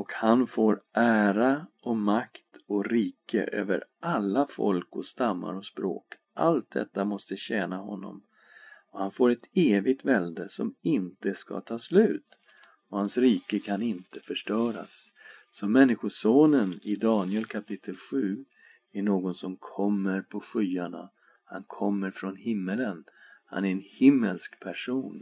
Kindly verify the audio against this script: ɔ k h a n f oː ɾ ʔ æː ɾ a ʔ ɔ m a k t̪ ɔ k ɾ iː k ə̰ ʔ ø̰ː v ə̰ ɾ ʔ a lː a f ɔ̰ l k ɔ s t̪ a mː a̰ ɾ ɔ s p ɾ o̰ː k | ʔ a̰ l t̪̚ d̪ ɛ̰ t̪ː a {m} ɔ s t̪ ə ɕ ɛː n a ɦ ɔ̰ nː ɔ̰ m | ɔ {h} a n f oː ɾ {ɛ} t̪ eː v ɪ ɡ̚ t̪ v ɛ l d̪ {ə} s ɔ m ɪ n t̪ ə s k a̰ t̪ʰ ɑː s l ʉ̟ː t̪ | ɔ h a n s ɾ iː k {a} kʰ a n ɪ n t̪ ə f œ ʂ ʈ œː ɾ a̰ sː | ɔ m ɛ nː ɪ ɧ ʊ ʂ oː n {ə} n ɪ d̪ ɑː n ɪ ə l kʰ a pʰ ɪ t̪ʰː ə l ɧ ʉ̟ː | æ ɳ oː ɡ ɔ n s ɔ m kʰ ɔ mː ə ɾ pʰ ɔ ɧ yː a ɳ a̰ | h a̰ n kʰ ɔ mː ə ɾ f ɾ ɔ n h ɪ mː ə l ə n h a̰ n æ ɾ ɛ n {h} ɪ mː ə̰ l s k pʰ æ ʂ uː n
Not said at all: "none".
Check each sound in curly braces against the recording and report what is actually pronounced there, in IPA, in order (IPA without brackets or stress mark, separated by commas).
m, h, ɛ, ə, ə, ə, h